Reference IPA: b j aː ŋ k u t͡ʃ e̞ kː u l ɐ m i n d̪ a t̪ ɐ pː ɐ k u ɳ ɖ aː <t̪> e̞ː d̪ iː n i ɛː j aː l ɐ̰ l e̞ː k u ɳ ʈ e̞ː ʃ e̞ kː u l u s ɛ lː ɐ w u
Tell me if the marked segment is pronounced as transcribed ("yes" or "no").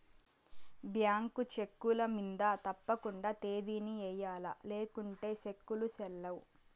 yes